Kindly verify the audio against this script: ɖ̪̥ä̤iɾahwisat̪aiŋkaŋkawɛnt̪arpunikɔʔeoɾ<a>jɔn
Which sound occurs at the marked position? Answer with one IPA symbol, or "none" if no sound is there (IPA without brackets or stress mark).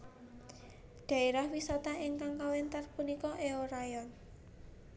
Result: a